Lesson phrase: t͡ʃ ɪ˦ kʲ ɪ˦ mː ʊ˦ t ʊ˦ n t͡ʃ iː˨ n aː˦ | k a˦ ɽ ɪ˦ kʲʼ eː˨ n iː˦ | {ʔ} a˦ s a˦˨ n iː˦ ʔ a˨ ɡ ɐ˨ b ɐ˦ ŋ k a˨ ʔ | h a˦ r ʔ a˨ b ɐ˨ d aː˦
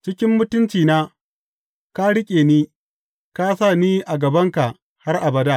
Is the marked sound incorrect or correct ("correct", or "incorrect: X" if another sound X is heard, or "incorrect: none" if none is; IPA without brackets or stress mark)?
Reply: incorrect: k